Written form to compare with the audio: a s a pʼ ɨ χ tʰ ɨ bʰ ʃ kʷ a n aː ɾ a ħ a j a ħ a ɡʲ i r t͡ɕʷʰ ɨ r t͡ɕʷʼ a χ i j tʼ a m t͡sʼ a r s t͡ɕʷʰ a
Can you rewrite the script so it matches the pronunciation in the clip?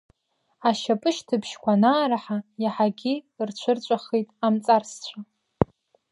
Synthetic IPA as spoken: a ʃ a pʼ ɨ ʃ tʰ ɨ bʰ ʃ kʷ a n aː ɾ a ħ a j a ħ a ɡʲ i r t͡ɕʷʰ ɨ r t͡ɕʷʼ a χ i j tʼ a m t͡sʼ a r s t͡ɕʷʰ a